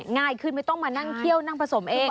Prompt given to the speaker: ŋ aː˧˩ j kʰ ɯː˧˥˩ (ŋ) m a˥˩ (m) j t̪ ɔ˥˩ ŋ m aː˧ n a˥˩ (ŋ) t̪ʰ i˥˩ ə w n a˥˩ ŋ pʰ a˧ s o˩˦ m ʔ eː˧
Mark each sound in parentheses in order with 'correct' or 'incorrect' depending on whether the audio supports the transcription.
incorrect, incorrect, correct

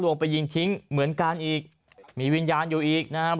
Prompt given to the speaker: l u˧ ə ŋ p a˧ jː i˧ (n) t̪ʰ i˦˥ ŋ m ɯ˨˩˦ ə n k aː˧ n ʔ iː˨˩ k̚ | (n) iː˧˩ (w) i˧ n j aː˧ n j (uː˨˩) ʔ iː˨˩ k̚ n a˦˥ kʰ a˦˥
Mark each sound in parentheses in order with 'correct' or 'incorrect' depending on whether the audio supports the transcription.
incorrect, incorrect, correct, correct

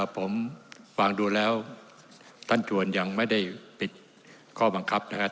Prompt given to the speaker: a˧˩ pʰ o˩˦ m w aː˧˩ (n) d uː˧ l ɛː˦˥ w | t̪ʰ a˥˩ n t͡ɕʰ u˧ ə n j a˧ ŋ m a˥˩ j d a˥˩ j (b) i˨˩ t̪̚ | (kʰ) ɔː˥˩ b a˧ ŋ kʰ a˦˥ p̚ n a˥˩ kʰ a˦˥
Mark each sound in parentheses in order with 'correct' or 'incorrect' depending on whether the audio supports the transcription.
incorrect, incorrect, correct

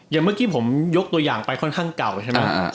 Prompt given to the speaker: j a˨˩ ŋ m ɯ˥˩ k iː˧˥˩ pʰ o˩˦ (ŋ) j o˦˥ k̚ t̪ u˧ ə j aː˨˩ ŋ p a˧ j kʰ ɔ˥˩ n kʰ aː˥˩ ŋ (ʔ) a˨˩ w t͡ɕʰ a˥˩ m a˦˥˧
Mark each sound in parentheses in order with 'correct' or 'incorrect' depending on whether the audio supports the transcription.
incorrect, incorrect

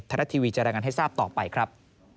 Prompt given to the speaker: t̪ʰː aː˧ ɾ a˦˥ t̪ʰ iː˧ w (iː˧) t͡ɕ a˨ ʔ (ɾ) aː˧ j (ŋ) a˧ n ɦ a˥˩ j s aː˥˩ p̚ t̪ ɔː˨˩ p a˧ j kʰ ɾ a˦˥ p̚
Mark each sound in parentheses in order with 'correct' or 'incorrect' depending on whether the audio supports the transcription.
correct, correct, correct

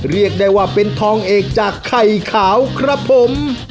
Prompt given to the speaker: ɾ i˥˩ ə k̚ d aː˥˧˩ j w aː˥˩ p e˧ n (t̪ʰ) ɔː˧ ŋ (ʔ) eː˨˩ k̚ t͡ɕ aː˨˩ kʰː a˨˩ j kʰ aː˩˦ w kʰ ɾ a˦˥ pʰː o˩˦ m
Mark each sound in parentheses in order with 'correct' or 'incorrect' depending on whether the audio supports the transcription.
correct, correct

